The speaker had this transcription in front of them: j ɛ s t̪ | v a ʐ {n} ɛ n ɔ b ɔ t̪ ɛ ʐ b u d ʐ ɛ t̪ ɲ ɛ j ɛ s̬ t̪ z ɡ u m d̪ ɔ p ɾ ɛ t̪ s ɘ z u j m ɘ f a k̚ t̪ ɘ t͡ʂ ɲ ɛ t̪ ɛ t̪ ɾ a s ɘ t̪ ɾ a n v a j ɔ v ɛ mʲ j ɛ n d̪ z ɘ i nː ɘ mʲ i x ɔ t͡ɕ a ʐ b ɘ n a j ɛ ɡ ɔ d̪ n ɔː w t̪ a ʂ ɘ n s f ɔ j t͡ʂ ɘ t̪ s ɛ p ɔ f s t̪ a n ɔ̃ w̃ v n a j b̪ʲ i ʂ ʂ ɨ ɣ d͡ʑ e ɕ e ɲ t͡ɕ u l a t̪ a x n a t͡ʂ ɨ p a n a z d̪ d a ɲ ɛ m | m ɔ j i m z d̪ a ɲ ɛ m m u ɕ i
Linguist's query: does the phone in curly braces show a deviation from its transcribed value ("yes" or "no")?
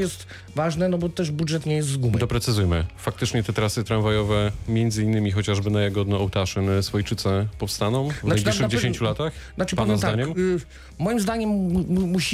no